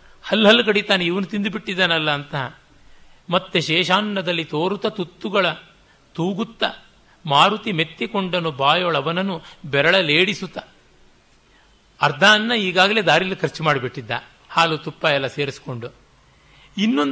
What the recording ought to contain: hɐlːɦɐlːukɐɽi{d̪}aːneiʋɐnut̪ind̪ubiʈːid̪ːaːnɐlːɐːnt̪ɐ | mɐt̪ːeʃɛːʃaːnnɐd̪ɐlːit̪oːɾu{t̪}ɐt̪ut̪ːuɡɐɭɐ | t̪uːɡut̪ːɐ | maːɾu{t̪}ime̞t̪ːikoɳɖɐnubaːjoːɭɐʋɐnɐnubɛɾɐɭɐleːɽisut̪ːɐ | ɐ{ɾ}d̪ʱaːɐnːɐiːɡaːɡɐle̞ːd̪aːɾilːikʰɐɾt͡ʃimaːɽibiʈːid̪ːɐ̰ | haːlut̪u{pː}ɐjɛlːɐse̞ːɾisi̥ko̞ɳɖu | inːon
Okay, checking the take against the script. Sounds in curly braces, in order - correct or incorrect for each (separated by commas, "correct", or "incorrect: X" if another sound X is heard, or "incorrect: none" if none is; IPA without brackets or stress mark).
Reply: incorrect: t̪, correct, correct, correct, correct